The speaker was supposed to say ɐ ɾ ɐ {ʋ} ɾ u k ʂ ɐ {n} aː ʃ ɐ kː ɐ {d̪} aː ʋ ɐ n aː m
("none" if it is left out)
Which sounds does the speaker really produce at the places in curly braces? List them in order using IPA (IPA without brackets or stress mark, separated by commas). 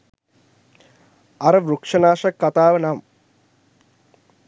ʋ, n, t̪